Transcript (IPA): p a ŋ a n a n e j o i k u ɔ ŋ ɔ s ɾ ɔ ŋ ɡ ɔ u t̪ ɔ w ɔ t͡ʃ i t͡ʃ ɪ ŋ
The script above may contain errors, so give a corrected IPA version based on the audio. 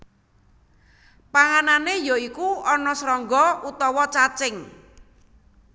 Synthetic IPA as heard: p a ŋ a n a n e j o i k u ɔ n ɔ s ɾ ɔ ŋ ɡ ɔ u t̪ ɔ w ɔ t͡ʃ a t͡ʃ ɪ ŋ